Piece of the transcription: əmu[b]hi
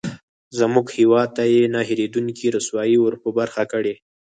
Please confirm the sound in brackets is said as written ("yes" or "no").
no